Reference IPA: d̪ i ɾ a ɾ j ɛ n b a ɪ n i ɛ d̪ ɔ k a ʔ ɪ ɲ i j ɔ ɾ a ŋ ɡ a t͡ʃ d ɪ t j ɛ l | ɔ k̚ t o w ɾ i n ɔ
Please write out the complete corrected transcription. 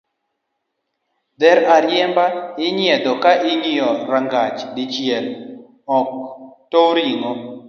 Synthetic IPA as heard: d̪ ɛ ɾ a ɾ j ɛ m b a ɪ ɲ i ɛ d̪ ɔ k a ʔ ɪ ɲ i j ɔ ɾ a ŋ ɡ a t͡ʃ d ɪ t͡ʃ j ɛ l | ɔ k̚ t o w ɾ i ŋ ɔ